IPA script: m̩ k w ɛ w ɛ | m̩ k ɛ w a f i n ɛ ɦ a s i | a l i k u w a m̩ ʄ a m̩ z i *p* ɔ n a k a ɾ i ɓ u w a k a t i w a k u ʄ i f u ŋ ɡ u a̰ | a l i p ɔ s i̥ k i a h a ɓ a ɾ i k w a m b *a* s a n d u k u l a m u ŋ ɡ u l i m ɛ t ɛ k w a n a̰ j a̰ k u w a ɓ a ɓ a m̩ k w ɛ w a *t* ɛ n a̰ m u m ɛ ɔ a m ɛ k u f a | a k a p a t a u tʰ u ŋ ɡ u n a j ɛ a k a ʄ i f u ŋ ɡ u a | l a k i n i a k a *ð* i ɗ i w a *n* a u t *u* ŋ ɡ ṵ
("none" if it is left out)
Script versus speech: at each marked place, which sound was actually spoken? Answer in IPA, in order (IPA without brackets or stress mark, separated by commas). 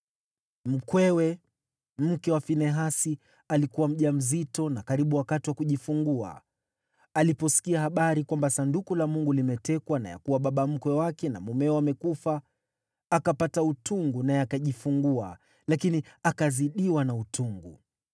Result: t, a, k, z, n, u